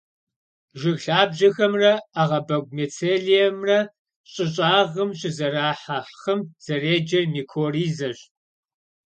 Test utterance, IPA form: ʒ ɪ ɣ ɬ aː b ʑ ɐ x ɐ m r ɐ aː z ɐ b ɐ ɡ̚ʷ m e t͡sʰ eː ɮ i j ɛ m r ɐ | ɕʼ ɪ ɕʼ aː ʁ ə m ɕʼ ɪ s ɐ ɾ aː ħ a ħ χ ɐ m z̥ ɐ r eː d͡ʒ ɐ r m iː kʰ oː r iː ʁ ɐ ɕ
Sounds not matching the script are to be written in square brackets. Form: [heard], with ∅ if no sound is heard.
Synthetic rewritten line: ʒ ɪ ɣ ɬ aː b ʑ ɐ x ɐ m r ɐ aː [ʁ] ɐ b ɐ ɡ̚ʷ m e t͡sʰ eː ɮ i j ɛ m r ɐ | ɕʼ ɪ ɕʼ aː ʁ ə m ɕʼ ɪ [z] ɐ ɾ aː ħ a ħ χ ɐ m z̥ ɐ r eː d͡ʒ ɐ r m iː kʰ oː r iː [z] ɐ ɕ